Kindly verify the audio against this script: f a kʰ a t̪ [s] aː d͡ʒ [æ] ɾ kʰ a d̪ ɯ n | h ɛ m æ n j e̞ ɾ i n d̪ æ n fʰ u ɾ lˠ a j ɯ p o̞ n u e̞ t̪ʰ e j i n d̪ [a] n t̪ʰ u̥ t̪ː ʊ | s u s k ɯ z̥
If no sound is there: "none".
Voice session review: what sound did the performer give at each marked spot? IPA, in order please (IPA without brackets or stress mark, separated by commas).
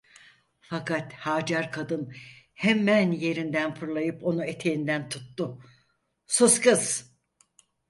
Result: h, a, æ